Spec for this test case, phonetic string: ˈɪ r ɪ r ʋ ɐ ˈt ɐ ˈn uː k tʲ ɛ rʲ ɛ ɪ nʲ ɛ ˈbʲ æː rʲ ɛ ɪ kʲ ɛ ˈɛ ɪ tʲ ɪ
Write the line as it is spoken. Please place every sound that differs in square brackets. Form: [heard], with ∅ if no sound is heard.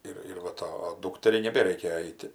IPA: ˈɪ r ɪ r ʋ ɐ ˈt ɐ [ˈd] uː k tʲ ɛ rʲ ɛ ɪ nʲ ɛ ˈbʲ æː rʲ ɛ ɪ kʲ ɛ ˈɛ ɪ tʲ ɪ